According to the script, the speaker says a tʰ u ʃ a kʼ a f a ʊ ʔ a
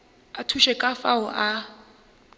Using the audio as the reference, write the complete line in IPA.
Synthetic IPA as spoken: a tʰ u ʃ ɛ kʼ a f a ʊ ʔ a